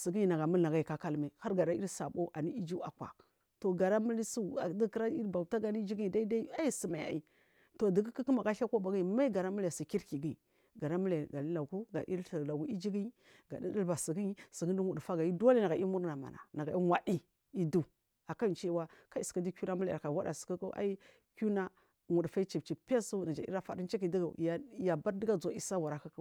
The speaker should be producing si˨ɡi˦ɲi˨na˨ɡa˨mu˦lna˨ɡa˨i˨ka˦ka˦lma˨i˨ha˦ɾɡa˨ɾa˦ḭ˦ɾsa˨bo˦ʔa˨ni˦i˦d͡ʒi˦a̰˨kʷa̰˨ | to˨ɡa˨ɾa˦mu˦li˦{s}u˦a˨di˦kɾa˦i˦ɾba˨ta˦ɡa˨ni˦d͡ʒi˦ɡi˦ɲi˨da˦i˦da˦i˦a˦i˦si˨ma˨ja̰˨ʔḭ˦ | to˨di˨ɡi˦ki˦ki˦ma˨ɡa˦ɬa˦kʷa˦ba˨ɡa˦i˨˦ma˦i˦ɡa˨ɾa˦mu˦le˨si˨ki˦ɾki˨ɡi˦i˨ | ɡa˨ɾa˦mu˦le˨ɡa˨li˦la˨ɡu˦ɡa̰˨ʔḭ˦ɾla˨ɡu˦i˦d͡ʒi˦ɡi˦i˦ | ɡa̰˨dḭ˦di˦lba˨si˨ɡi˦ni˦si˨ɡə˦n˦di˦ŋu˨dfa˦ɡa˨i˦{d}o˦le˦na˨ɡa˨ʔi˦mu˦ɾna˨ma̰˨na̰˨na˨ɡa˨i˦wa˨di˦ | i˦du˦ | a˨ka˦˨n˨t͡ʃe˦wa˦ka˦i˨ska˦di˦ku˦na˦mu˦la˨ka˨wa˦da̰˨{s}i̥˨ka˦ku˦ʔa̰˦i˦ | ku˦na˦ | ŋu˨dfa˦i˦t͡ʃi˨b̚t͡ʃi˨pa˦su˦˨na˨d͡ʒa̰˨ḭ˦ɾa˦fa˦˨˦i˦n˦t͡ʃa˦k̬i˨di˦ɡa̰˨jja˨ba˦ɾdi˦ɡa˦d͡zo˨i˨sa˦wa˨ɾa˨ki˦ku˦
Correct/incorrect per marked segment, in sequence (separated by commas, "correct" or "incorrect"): correct, correct, correct